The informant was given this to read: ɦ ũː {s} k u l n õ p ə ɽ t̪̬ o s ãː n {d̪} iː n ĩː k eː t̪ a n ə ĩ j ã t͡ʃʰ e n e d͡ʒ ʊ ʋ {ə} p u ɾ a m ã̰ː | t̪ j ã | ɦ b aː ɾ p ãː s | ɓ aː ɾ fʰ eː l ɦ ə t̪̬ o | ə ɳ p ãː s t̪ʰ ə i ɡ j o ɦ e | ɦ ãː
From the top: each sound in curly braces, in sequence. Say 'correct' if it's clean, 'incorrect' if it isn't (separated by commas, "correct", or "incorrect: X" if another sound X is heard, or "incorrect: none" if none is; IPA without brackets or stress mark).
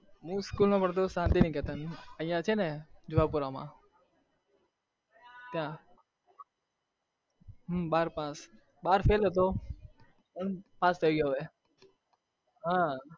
correct, incorrect: t̪, incorrect: a